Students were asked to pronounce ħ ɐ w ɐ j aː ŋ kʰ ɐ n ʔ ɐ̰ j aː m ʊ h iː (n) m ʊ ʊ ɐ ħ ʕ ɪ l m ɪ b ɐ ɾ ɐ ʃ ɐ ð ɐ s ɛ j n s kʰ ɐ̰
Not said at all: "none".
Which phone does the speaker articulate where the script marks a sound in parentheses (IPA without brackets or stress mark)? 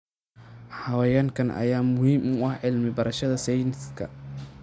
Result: none